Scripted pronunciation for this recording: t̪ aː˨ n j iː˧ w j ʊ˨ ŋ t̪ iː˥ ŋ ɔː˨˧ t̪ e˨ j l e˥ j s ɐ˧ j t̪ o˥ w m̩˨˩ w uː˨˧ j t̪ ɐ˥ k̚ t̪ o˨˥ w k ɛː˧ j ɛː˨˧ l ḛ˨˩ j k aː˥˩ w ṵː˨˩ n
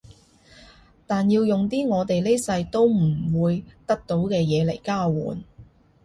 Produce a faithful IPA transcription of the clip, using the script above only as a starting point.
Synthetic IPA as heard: t̪ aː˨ n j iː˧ w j ʊ˨ ŋ t̪ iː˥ ŋ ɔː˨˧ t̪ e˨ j l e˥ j s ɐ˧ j t̪ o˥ w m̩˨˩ w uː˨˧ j t̪ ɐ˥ k̚ t̪ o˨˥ w k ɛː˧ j ɛː˨˧ l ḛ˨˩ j k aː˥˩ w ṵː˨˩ n